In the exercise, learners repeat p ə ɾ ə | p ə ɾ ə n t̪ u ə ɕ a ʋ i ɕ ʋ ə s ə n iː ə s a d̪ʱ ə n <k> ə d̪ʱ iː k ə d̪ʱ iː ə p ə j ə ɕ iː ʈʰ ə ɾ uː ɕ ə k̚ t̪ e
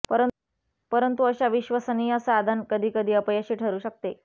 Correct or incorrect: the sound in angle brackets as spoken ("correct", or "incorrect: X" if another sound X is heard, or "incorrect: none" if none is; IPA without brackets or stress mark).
correct